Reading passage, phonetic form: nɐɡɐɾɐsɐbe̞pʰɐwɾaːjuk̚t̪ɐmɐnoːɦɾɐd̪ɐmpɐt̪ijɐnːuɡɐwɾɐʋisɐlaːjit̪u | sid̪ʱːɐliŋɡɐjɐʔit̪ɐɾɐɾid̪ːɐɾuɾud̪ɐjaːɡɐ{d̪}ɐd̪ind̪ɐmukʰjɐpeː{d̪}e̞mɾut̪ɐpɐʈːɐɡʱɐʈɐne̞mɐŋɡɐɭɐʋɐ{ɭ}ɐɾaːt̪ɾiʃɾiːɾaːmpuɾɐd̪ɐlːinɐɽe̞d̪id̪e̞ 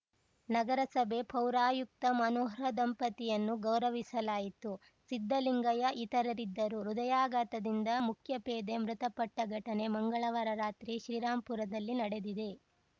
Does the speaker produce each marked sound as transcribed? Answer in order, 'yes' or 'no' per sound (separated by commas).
no, yes, no